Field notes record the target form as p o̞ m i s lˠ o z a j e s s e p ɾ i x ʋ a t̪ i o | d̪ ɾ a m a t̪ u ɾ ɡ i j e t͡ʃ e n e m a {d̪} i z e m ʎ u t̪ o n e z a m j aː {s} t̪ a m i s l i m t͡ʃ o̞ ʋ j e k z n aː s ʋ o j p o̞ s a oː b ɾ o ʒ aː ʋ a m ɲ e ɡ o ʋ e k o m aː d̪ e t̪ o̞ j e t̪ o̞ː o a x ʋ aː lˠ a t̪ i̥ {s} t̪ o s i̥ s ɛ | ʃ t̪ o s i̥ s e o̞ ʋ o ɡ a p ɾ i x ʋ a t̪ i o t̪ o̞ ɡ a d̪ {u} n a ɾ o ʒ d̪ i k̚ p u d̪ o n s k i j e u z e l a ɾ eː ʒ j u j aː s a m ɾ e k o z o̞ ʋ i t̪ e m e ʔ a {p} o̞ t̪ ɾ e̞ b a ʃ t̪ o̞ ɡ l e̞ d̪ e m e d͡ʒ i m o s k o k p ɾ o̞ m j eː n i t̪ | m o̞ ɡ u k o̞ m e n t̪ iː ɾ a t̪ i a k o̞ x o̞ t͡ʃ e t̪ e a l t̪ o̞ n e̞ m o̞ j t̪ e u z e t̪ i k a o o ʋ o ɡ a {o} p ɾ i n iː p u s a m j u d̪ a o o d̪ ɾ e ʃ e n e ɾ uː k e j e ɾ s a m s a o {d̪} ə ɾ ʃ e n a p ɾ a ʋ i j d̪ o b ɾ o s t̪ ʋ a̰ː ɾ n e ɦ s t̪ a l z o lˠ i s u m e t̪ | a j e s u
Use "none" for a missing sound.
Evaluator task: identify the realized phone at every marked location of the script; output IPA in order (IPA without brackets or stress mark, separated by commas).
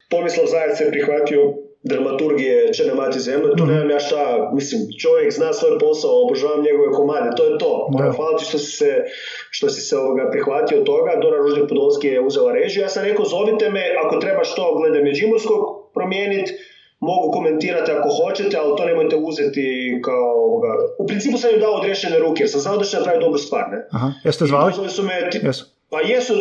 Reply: t̪, ʃ, ʃ, o, k, u, d̪